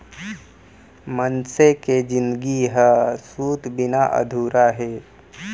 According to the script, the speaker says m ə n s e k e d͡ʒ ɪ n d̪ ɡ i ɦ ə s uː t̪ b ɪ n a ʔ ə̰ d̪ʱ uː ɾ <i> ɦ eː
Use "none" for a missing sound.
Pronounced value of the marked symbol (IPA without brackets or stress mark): a